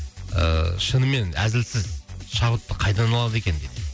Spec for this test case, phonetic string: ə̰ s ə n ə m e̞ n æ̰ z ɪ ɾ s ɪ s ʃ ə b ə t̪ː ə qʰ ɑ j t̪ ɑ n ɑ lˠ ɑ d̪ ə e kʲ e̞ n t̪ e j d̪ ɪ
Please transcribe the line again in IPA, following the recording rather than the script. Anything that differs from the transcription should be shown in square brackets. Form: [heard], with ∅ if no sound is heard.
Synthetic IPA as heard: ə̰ [ʃ] ə n ə m e̞ n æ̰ z ɪ [l] s ɪ [z] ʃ [ɑ] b ə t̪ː ə qʰ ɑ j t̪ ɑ n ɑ lˠ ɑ d̪ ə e kʲ e̞ n [d̪] e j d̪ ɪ